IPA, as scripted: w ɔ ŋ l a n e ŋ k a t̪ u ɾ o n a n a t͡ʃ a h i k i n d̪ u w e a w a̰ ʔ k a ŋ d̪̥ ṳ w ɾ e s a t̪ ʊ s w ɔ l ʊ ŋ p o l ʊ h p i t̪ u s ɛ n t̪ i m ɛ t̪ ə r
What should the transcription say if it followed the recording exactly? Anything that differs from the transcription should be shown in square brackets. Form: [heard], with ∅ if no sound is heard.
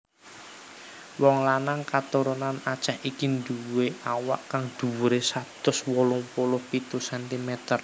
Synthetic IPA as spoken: w ɔ ŋ l a n [a] ŋ k a t̪ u ɾ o n a n a t͡ʃ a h i k i n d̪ u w e a w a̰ ʔ k a ŋ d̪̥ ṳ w ɾ e s a t̪ ʊ s w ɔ l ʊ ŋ p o l ʊ h p i t̪ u s ɛ n t̪ i m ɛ t̪ ə r